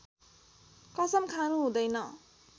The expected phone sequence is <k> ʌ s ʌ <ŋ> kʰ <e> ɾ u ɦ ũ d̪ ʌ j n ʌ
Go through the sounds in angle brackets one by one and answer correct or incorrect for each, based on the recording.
correct, incorrect, incorrect

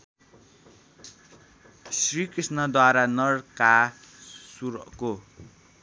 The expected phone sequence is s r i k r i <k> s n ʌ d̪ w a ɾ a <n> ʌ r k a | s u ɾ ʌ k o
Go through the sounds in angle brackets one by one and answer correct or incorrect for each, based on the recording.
incorrect, correct

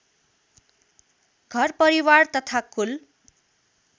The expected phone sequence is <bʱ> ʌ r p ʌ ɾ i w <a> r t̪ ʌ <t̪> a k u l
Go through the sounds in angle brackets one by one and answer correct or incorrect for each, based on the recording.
incorrect, correct, incorrect

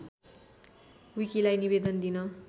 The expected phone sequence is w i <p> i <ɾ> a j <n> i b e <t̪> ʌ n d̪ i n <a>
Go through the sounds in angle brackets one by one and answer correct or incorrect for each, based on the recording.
incorrect, incorrect, correct, incorrect, incorrect

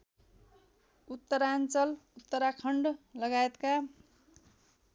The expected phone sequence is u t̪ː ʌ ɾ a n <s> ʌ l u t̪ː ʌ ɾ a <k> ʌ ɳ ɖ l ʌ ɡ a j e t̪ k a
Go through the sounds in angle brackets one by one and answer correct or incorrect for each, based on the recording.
incorrect, incorrect

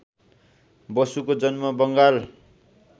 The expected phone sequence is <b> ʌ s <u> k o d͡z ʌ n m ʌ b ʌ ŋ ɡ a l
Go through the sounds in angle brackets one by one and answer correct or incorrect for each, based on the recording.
correct, correct

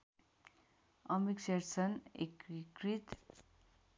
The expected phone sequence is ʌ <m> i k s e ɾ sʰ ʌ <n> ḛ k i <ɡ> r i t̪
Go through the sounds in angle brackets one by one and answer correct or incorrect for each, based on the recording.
correct, correct, incorrect

